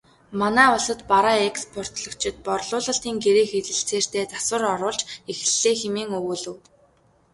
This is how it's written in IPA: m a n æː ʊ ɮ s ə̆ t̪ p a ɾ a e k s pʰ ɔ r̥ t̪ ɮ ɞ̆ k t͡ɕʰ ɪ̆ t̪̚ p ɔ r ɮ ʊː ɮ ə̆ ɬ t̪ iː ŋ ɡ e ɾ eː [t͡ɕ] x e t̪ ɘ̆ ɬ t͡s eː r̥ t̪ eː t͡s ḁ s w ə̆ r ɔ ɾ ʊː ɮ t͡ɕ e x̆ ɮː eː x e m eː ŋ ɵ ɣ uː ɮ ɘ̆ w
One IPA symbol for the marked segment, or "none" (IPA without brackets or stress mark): none